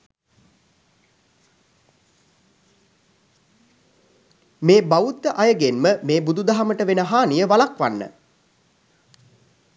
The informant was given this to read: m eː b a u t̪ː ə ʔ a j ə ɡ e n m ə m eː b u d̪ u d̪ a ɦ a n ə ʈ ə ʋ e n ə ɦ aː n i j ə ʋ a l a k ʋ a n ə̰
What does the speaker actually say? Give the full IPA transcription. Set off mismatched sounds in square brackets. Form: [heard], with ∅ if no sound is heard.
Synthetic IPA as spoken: m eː b a u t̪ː ə ʔ a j ə ɡ e n m ə m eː b u d̪ u d̪ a ɦ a [m] ə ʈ ə ʋ e n ə ɦ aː n i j ə ʋ a l a k ʋ a [nː] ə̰